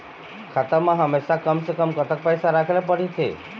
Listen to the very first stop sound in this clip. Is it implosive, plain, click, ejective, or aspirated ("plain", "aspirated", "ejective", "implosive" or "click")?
aspirated